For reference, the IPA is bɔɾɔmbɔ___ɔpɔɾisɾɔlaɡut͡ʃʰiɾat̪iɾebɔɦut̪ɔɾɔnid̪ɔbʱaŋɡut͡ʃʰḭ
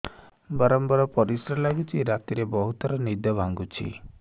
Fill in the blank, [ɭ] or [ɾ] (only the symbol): ɾ